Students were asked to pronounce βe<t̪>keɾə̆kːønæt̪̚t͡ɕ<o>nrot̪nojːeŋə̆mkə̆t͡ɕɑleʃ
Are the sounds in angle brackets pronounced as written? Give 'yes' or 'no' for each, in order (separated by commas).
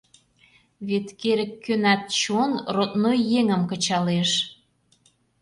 yes, yes